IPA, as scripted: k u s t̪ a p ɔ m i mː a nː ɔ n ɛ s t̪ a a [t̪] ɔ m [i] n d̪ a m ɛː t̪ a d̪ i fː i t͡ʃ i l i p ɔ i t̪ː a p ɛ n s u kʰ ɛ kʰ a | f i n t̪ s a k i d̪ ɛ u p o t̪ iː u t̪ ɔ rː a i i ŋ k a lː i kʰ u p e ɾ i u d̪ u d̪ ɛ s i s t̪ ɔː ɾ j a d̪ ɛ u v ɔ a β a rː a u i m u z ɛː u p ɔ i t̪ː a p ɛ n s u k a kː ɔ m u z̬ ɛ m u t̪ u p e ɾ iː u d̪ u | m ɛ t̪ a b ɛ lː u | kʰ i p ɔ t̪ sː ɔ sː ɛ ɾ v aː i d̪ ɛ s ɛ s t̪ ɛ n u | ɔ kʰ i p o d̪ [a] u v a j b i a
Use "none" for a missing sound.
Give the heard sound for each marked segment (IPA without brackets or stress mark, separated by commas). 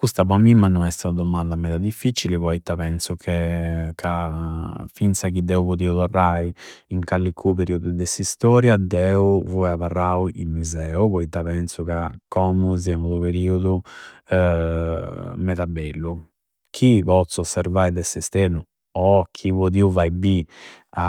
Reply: d̪, a, i